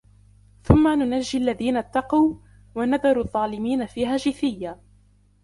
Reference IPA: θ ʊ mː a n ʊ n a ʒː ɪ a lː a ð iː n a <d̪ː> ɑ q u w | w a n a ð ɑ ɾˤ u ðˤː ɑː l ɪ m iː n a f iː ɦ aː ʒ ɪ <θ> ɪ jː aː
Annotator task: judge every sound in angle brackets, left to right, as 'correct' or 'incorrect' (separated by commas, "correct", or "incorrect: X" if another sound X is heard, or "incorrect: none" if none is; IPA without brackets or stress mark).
incorrect: t̪ː, correct